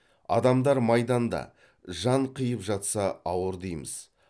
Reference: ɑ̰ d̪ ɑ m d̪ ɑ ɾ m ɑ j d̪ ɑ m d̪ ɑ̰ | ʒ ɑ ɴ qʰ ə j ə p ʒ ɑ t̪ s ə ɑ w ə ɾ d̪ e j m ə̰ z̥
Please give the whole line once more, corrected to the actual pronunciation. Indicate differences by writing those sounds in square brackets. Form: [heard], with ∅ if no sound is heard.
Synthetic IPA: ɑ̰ d̪ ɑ m d̪ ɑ ɾ m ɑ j d̪ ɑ [n] d̪ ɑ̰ | ʒ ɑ ɴ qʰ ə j ə p ʒ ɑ t̪ s [ɑ] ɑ w ə ɾ d̪ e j m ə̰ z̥